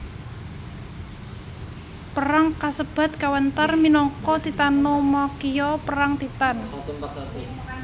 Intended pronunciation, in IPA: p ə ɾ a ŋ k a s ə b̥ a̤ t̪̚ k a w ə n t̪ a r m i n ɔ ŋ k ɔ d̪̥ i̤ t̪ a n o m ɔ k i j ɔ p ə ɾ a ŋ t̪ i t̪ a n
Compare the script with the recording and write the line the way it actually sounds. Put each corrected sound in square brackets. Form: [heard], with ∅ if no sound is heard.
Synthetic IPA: p ə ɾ a ŋ k a s ə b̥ a̤ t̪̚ k a w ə n t̪ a r m i n ɔ ŋ k ɔ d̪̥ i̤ t̪ a n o m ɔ k i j ɔ p ə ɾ a ŋ t̪ i t̪ a n